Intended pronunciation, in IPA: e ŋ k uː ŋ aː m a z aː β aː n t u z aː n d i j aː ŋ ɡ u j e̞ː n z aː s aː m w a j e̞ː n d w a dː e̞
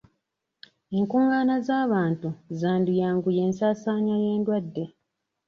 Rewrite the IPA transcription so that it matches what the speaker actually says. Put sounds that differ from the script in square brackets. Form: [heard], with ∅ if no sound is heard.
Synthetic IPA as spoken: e ŋ k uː ŋ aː [n] a z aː β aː n t u z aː n d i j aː ŋ ɡ u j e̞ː n [s] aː s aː [ɲ] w a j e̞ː n d w a dː e̞